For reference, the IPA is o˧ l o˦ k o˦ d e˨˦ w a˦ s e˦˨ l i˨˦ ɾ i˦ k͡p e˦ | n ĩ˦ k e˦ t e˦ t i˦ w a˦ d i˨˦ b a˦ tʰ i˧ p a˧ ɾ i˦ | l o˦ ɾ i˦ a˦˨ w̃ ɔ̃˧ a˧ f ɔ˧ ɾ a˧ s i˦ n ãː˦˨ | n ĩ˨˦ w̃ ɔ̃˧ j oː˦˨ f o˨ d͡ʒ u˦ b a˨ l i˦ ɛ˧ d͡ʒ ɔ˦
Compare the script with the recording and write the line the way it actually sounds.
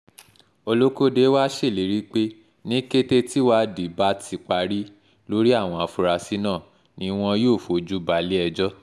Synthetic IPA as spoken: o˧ l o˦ k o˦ d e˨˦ w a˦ ʃ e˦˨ l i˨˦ ɾ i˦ k͡p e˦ | n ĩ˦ k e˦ t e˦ t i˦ w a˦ d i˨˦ b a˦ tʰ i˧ k͡p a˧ ɾ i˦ | l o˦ ɾ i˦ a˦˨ w̃ ɔ̃˧ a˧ f u˧ ɾ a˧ s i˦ n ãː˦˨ | n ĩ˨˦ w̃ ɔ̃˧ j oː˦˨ f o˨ d͡ʒ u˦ b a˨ l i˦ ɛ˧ d͡ʒ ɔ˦